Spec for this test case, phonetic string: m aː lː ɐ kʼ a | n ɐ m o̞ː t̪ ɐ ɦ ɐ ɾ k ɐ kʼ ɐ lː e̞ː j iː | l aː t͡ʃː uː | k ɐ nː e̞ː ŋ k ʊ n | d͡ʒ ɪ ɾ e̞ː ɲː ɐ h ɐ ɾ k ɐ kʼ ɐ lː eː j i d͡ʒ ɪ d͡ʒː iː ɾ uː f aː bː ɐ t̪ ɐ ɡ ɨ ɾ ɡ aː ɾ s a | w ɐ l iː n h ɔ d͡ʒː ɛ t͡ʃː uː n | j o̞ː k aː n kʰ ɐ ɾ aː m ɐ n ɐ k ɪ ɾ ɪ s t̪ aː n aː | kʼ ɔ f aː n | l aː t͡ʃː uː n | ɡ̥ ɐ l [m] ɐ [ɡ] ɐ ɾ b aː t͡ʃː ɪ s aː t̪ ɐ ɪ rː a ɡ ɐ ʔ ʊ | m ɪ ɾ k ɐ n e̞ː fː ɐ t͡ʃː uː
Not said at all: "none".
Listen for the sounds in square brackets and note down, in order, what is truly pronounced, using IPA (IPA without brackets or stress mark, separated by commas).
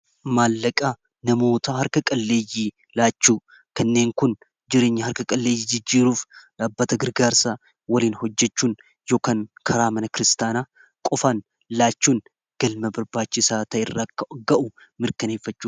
m, b